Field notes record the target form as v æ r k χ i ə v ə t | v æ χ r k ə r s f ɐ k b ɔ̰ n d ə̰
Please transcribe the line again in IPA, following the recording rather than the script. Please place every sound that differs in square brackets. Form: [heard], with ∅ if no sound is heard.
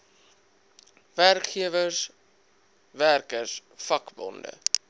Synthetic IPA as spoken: v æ r k χ i ə v ə [s] | v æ [∅] r k ə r s f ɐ k b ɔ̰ n d ə̰